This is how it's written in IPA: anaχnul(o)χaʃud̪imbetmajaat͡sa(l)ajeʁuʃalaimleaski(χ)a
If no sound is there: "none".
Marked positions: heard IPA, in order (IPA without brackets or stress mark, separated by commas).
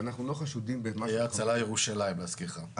o, l, χ